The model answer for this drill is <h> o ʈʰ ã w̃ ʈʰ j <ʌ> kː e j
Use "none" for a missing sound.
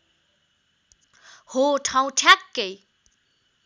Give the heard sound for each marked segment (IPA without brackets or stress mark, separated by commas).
h, a